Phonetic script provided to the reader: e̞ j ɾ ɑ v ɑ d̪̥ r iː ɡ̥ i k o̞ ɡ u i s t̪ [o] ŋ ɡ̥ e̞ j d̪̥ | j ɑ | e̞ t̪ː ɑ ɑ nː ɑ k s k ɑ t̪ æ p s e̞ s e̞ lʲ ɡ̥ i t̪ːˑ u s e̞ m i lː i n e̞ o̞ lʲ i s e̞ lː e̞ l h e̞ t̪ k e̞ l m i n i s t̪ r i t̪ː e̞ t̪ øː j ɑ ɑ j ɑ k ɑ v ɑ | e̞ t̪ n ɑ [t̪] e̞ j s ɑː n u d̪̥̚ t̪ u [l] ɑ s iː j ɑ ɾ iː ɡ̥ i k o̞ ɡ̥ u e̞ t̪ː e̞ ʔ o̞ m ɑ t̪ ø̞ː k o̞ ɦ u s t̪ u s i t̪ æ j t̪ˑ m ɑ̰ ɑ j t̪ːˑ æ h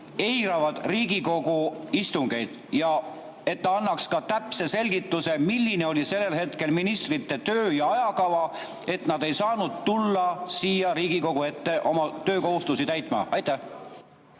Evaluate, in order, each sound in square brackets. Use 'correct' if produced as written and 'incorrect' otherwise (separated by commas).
incorrect, incorrect, incorrect